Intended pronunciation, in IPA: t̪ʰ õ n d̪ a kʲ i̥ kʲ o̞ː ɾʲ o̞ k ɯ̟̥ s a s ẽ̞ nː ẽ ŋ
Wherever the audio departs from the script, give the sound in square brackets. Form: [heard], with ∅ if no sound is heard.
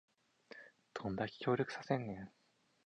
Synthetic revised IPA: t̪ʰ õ n d̪ a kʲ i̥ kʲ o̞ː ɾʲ o̞ k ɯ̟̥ s a s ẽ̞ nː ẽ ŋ